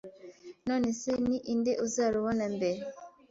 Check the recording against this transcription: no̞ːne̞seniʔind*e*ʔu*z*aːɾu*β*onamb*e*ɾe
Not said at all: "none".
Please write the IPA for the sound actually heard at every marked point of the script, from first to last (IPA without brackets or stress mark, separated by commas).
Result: e, z, β, e